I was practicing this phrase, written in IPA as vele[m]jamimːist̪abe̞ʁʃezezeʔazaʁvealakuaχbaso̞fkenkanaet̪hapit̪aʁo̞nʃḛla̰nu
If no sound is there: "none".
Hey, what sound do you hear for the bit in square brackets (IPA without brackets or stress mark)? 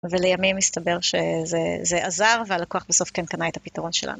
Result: none